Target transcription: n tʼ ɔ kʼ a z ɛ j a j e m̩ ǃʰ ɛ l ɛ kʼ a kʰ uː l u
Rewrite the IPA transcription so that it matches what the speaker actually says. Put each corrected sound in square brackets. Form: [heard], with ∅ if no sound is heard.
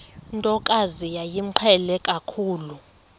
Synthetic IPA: n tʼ ɔ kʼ a z [i] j a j [i] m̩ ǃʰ ɛ l ɛ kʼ a kʰ uː l u